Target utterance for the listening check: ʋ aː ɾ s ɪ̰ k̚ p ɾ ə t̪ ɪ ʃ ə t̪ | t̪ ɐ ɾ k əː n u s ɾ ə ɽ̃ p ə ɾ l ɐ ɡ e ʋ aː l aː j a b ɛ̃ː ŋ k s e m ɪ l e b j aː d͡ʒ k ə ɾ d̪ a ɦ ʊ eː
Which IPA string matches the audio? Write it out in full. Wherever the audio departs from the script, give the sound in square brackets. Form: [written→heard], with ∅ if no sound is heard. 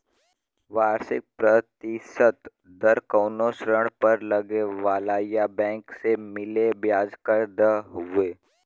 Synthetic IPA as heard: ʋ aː ɾ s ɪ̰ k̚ p ɾ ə t̪ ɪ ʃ ə t̪ | [t̪→d̪] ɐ ɾ k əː n [u→o] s ɾ ə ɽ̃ p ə ɾ l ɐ ɡ e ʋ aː l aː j a b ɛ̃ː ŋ k s e m ɪ l e b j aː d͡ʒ k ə ɾ d̪ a ɦ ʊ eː